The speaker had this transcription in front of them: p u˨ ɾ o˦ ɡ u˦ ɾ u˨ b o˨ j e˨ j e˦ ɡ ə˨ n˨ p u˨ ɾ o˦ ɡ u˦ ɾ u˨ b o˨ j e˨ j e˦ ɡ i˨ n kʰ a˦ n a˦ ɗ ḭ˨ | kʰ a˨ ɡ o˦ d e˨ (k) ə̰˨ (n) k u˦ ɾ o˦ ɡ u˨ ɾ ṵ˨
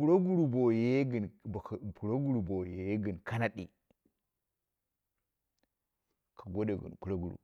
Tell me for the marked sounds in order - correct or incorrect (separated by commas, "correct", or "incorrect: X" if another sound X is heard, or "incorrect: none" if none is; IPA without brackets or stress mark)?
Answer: incorrect: ɡ, correct